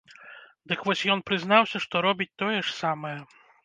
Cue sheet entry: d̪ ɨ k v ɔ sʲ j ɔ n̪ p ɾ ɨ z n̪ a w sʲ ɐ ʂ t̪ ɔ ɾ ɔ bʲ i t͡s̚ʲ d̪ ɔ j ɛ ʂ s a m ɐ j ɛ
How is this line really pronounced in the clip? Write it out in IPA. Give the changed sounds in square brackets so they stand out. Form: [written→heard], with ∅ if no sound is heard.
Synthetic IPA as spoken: d̪ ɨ k v ɔ sʲ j ɔ n̪ p ɾ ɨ z n̪ a w sʲ ɐ ʂ t̪ ɔ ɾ ɔ bʲ i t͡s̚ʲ [d̪→t̪] ɔ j ɛ ʂ s a m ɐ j ɛ